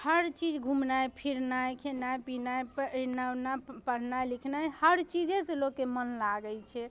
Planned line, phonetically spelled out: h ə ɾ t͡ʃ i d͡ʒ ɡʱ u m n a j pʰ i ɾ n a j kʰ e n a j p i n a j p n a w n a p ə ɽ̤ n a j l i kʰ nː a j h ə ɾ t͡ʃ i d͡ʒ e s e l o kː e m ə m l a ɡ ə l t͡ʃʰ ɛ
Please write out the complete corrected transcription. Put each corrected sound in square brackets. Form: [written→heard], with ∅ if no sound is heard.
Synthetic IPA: h ə ɾ t͡ʃ i d͡ʒ ɡʱ u m n a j pʰ i ɾ n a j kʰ e n a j p i n a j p n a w n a p ə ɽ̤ n a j l i kʰ [nː→n] a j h ə ɾ t͡ʃ i d͡ʒ e s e l o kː e m ə [m→n] l a ɡ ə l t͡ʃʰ ɛ